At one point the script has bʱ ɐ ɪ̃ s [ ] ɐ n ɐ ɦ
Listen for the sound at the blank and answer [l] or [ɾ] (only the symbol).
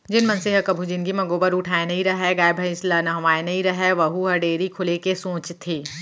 l